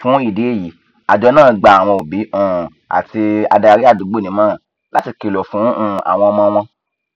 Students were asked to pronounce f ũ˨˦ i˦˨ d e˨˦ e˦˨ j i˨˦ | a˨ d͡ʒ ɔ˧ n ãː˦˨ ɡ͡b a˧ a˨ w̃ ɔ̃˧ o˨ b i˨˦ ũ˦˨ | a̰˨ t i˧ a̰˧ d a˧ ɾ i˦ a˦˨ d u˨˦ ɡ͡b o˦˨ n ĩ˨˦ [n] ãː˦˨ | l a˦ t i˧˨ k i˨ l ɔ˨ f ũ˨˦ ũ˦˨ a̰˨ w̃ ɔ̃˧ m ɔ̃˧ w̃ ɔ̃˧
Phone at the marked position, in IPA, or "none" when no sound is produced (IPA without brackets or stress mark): m